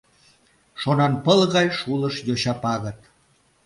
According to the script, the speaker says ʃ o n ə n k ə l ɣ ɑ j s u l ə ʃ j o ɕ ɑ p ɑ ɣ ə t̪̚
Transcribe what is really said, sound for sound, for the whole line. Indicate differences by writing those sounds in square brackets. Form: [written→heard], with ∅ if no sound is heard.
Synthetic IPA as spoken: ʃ o n [ə→ɑ] n [k→p] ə l ɣ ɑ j [s→ʃ] u l ə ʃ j o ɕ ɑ p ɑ ɣ ə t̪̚